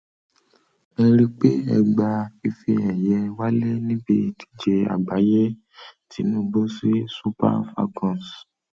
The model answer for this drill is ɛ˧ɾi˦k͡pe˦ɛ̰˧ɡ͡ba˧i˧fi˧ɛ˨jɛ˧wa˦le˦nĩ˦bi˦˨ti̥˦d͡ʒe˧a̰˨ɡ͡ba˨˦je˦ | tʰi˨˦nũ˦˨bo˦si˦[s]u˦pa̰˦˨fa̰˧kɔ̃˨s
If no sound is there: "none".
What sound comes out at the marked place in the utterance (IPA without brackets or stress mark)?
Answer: s